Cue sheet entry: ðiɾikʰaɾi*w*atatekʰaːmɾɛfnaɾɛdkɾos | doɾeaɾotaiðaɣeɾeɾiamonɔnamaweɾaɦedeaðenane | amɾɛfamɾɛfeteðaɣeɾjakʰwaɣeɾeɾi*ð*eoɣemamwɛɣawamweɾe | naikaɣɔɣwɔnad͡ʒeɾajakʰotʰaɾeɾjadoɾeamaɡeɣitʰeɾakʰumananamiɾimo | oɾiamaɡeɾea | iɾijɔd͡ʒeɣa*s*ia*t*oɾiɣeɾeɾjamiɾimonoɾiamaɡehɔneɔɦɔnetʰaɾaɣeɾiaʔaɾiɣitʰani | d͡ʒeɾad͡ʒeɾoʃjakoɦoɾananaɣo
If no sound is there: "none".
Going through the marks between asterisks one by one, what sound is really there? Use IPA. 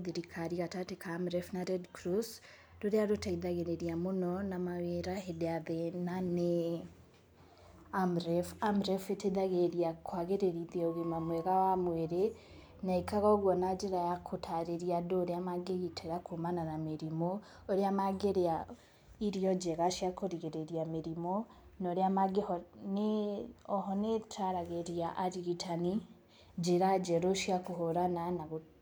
ɣ, ð, ʃ, k

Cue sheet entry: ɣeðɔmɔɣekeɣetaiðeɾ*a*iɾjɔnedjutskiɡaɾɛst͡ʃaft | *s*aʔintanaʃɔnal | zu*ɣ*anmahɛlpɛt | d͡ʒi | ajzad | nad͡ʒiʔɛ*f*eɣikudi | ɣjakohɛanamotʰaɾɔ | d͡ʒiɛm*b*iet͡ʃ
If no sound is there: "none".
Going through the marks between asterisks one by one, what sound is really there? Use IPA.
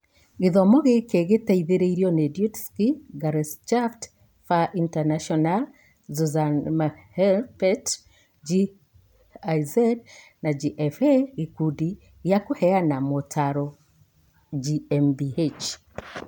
e, f, z, f, b

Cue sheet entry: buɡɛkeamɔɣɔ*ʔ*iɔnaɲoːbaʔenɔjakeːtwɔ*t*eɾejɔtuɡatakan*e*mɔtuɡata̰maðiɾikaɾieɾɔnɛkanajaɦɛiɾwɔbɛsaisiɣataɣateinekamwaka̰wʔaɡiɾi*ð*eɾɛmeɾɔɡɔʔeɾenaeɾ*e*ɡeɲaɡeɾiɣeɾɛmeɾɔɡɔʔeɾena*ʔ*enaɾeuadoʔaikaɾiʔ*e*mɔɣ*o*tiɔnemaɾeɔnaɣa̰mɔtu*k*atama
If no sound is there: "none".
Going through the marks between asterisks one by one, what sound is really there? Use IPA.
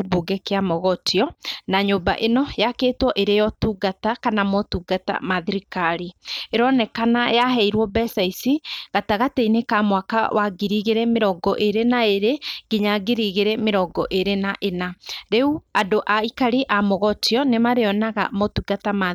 t, ʔ, a, ɣ, e, ʔ, a, ɔ, ɡ

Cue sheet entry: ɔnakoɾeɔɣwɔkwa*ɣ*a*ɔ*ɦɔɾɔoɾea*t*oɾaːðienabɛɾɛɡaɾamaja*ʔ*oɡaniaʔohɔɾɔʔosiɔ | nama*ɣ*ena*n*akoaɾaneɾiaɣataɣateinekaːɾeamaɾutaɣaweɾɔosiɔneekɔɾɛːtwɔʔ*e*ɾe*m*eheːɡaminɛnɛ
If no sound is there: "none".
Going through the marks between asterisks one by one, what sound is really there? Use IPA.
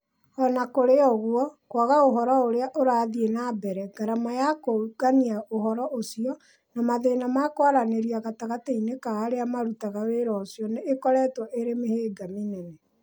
ɣ, o, ʔ, k, ð, m, e, m

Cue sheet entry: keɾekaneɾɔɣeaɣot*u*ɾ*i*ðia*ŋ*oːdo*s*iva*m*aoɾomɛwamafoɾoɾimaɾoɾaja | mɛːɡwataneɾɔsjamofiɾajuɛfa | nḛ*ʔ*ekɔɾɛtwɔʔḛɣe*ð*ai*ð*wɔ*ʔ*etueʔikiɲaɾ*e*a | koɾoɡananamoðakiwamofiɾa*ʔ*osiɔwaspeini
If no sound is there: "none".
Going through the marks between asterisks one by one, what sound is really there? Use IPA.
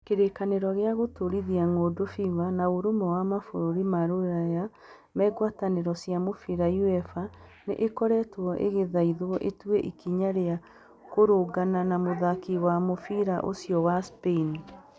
o, i, ŋ, f, n, ʔ, ð, ð, ʔ, e, ʔ

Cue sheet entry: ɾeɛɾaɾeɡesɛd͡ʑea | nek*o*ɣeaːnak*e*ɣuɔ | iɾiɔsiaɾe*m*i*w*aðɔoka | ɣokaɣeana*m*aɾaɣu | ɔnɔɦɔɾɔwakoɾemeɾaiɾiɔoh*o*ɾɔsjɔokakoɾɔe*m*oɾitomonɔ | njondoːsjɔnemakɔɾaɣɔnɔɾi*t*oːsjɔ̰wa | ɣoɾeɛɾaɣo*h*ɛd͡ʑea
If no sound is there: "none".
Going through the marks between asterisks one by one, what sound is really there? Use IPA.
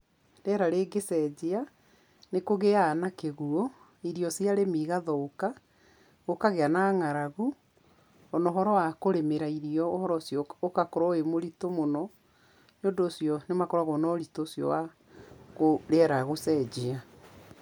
o, e, m, ɣ, ŋ, ɔ, m, t, s

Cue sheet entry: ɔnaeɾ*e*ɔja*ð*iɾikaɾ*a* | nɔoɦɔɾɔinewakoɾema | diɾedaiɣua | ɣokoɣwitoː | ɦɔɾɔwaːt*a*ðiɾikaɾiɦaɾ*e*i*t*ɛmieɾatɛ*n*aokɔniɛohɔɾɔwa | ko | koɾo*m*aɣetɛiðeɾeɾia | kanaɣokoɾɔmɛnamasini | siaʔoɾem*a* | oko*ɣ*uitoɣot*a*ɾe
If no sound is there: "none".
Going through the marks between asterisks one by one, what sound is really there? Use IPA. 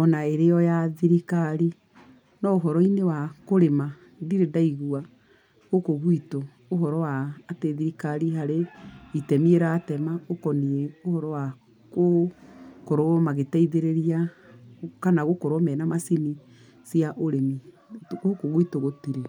e, ð, i, e, e, t, m, m, i, ɣ, i

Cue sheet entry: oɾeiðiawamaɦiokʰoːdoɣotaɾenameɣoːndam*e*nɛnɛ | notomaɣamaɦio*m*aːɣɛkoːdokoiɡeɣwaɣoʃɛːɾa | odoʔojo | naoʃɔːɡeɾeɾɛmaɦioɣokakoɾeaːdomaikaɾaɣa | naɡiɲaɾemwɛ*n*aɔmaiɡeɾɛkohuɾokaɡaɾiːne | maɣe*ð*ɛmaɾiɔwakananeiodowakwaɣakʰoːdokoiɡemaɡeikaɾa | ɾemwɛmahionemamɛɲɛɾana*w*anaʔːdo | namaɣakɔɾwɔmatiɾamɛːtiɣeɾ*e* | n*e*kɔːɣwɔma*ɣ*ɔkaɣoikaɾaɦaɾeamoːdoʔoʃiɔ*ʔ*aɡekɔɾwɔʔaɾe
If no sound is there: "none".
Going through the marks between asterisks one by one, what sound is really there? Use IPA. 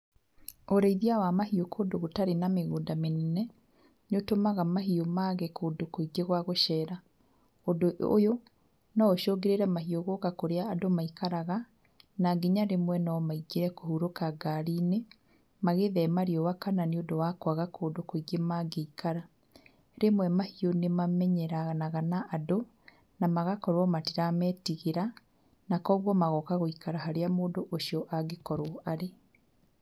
e, m, n, ð, ɣ, a, a, ɣ, ʔ

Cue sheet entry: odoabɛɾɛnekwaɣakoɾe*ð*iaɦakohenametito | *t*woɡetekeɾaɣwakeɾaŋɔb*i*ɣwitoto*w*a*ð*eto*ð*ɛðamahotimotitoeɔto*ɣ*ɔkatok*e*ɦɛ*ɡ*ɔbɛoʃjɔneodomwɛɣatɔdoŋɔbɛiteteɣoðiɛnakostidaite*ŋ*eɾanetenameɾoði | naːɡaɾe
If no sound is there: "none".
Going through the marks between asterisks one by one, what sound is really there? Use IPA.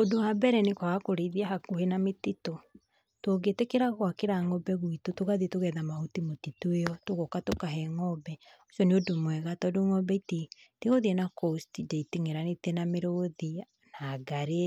ð, t, ɛ, ɣ, ð, ɣ, ɣ, a, ŋ, ŋ

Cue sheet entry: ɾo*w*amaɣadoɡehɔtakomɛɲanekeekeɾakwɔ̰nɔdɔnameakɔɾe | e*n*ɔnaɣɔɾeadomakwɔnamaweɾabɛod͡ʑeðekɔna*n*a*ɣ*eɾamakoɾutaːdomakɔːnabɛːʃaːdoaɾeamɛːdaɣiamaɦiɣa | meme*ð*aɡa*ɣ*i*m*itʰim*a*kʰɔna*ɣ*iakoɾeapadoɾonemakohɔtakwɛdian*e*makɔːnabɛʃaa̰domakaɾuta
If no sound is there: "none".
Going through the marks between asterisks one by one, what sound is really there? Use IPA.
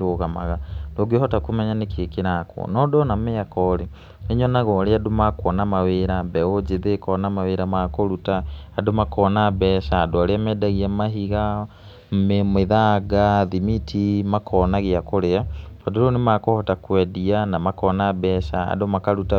ɣ, ɲ, m, w, ð, ð, m, a, ɣ, a

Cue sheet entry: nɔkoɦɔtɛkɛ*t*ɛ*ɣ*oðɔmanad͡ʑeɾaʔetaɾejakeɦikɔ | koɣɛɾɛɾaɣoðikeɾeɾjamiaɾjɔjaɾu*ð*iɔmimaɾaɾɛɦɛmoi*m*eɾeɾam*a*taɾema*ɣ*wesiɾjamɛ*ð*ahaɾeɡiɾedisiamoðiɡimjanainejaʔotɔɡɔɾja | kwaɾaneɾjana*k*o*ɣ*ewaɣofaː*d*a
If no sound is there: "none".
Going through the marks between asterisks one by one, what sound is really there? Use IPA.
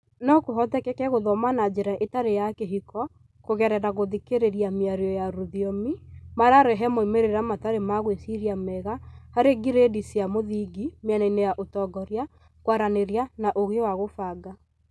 k, ɣ, ð, m, a, ɣ, ɣ, ʔ, ɣ, ɡ

